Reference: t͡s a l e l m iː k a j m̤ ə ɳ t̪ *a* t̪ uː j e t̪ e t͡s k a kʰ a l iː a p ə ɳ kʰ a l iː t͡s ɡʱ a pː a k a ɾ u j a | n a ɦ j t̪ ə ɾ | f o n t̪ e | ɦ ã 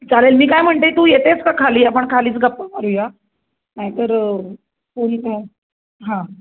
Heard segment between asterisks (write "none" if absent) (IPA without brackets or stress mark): e